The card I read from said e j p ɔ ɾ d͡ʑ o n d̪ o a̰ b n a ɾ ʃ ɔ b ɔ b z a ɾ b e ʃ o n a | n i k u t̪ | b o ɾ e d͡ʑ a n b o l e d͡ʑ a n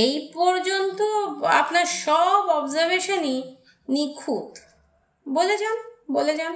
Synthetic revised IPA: e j p ɔ ɾ d͡ʑ o n t̪ o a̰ p n a ɾ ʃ ɔ b ɔ b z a ɾ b e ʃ o n i | n i kʰ u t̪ | b o l e d͡ʑ a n b o l e d͡ʑ a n